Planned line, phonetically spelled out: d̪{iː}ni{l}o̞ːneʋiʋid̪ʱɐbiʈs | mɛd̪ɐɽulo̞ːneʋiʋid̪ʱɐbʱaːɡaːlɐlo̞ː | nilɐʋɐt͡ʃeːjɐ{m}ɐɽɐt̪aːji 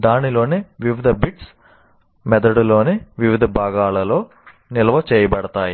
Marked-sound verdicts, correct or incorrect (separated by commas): incorrect, correct, incorrect